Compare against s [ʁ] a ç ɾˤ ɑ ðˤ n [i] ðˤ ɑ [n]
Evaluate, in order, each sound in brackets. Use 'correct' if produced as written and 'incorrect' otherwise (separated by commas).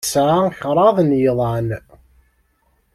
incorrect, incorrect, correct